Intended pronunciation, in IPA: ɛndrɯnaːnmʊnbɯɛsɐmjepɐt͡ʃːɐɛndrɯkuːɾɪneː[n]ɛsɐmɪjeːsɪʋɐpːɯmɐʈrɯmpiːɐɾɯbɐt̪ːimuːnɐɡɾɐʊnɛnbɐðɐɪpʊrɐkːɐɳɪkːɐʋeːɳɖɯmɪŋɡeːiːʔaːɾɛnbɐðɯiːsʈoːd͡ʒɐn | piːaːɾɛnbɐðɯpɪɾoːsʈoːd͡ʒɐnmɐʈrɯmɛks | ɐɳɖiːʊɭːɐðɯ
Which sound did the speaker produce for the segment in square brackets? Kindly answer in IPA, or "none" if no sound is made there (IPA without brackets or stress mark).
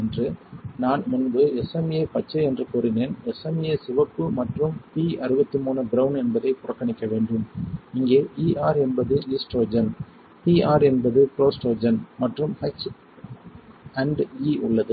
n